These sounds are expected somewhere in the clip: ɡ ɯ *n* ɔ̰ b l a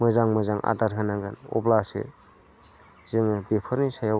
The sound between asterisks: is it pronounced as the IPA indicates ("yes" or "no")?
yes